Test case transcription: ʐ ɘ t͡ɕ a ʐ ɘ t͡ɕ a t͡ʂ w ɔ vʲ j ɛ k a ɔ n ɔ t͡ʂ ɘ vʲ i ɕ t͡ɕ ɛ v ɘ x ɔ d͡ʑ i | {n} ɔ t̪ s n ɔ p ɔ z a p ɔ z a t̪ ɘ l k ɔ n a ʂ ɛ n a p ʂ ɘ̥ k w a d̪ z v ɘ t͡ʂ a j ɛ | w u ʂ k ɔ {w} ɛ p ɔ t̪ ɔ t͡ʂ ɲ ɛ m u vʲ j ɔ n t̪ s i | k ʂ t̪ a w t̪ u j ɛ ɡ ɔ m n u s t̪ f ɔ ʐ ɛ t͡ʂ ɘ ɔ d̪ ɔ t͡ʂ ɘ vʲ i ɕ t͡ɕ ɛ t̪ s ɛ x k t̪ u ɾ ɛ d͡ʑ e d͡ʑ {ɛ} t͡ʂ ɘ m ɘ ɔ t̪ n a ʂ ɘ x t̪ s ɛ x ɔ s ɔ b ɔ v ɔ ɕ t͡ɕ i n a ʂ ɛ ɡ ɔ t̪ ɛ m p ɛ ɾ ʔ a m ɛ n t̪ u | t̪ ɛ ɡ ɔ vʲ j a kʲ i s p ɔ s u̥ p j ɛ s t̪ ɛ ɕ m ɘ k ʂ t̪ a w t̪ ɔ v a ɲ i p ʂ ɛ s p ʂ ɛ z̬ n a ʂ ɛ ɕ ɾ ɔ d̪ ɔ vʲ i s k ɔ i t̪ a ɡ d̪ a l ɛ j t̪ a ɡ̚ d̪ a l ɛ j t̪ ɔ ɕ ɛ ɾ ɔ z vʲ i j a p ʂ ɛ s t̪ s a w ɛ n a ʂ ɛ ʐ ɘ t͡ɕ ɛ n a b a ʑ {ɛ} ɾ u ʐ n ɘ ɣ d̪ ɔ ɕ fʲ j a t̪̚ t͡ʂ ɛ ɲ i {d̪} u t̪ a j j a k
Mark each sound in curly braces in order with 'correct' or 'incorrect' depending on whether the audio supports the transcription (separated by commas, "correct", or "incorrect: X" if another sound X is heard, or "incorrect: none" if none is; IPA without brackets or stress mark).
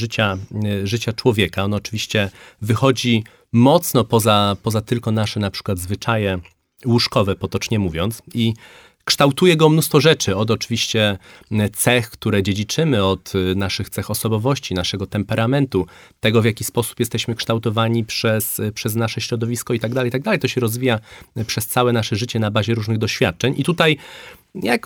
incorrect: m, incorrect: v, incorrect: i, correct, incorrect: t̪